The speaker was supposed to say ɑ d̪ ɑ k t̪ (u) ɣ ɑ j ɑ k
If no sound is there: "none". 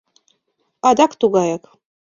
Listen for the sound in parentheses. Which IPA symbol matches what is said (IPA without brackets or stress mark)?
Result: u